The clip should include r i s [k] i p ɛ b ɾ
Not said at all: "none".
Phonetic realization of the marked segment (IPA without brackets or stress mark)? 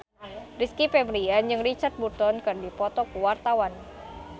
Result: k